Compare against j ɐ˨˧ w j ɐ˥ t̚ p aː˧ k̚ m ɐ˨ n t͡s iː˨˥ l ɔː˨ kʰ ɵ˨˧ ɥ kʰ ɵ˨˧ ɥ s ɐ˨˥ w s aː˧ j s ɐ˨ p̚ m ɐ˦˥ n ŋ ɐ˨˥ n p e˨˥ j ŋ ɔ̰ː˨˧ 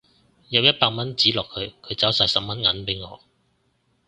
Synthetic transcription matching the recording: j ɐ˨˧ w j ɐ˥ t̚ p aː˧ k̚ m ɐ˥ n t͡s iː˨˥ l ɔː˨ kʰ ɵ˨˧ ɥ kʰ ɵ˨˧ ɥ t͡s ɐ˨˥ w s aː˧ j s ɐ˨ p̚ m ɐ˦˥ n ŋ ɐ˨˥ n p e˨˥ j ŋ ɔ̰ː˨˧